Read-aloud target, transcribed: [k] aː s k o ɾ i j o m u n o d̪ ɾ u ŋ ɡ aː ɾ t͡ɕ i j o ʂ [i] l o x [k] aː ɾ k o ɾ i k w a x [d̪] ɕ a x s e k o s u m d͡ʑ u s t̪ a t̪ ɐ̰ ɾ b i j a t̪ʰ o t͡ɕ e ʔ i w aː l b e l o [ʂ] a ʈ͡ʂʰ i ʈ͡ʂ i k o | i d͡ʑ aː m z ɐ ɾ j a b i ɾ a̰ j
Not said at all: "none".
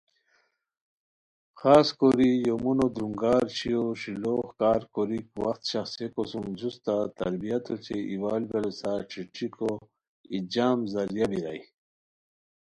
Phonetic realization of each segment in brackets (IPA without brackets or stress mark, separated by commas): x, i, k, t̪, s